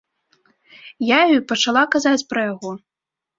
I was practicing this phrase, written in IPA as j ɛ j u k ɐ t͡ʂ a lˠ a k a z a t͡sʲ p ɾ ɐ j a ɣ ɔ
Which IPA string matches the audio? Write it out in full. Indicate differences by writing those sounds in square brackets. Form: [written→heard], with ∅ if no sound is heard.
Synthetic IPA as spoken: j [ɛ→a] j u [k→p] ɐ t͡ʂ a lˠ a k a z a t͡sʲ p ɾ ɐ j a ɣ ɔ